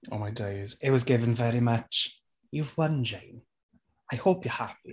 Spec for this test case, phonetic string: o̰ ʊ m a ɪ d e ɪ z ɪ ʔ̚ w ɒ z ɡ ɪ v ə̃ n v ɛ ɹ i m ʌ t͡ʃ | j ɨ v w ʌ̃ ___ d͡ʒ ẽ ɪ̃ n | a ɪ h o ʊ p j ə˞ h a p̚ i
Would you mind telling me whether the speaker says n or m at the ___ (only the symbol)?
n